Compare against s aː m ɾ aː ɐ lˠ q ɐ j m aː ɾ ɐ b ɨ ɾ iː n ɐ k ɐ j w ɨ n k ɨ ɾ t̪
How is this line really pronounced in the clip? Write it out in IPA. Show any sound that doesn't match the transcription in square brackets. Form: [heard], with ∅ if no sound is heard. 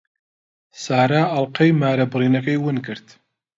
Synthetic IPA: s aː [∅] ɾ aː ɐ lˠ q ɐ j m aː ɾ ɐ b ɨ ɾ iː n ɐ k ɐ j w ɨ n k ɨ ɾ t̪